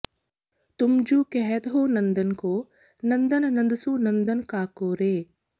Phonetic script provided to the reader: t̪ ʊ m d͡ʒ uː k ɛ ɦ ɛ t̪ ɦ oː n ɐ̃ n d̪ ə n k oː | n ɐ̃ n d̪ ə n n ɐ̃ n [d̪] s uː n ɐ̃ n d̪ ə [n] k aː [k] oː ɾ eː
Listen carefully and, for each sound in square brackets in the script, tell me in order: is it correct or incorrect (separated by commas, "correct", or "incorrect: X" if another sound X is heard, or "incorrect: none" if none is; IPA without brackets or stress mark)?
correct, correct, correct